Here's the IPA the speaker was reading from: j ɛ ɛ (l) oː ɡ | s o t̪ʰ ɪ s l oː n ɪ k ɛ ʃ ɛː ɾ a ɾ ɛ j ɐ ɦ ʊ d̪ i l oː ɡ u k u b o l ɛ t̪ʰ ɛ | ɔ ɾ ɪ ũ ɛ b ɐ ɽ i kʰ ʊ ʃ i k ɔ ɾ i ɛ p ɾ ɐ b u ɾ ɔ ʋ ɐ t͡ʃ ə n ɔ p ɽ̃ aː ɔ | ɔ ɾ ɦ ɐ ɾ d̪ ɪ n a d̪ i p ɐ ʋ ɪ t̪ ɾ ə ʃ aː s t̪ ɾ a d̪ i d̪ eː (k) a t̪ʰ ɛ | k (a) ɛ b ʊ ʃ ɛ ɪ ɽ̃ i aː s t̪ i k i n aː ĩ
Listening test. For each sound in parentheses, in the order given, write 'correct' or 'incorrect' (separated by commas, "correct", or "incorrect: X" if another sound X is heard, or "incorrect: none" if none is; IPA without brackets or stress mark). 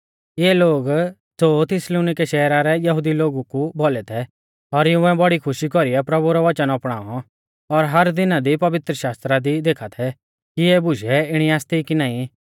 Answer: correct, incorrect: kʰ, incorrect: i